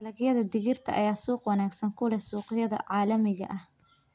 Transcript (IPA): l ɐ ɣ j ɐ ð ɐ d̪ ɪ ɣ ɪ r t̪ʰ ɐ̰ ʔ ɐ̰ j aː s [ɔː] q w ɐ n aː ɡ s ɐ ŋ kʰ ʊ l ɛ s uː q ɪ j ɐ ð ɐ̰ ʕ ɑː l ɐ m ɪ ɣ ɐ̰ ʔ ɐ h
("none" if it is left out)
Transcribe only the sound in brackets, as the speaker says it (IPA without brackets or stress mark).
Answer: uː